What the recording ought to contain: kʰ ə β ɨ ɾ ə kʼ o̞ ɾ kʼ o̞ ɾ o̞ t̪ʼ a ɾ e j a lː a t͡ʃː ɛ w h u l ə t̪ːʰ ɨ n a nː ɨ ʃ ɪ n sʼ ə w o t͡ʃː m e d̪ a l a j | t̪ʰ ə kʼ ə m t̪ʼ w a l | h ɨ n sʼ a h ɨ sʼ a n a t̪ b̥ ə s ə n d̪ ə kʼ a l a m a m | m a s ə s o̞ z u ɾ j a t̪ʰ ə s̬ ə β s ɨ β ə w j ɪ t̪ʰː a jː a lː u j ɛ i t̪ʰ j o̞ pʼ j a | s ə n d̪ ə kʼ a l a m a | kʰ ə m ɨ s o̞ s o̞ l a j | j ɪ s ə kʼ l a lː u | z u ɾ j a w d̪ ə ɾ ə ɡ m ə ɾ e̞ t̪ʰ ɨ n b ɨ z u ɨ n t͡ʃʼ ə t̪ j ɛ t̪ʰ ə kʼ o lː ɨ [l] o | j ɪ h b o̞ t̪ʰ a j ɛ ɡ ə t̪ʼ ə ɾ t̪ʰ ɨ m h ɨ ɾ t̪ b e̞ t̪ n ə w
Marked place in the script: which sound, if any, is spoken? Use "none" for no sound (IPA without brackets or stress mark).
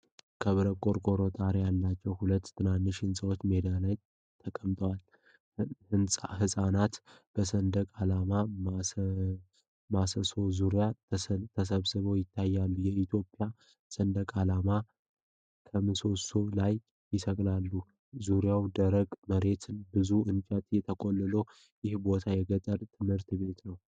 l